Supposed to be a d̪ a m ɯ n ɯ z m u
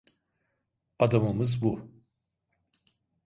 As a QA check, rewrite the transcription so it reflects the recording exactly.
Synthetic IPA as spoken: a d̪ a m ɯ m ɯ z b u

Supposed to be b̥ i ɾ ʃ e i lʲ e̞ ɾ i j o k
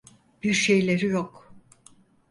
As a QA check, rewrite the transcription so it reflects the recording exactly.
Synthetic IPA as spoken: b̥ i ɾ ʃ e j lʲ e̞ ɾ i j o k

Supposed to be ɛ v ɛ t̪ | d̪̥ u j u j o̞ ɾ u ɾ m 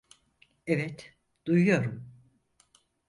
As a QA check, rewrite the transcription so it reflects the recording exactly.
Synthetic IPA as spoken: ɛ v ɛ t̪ | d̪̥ u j u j o̞ ɾ u m

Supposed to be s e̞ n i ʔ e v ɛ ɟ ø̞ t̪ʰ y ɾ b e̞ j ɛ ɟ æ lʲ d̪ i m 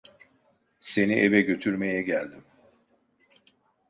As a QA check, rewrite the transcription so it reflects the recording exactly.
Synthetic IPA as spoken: s e̞ n i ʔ e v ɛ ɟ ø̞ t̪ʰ y ɾ m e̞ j ɛ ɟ æ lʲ d̪ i m

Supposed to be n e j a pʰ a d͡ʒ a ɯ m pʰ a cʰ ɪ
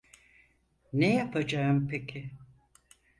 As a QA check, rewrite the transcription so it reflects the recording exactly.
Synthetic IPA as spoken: n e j a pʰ a d͡ʒ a ɯ m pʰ e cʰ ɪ

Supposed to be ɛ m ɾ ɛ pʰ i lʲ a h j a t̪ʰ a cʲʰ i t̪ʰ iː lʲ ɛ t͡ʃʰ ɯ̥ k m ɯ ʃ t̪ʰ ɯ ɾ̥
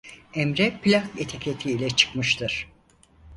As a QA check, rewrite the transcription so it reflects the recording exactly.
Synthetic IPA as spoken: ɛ m ɾ ɛ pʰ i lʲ a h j e t̪ʰ e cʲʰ e t̪ʰ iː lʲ ɛ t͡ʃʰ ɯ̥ k m ɯ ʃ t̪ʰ ɯ ɾ̥

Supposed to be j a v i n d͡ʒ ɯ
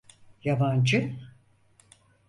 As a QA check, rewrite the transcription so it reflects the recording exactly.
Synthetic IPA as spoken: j a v a n d͡ʒ ɯ

